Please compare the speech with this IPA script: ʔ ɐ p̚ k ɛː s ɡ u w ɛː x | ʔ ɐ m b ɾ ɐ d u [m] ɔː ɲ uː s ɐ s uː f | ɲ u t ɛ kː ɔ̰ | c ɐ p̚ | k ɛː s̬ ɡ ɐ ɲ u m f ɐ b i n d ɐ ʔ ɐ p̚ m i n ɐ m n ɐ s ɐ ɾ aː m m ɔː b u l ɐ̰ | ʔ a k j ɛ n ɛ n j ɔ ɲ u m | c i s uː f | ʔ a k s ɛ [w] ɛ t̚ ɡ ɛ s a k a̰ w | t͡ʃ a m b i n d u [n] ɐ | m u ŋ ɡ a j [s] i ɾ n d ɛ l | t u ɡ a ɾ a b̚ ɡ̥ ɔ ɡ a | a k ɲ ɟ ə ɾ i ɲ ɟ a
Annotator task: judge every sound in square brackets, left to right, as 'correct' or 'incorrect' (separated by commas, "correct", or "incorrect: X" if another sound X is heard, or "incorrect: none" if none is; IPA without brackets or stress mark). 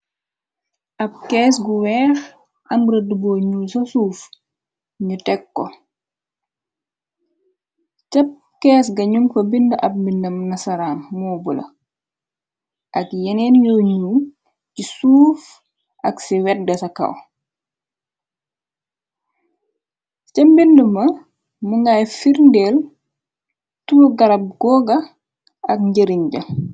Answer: incorrect: b, correct, incorrect: m, incorrect: f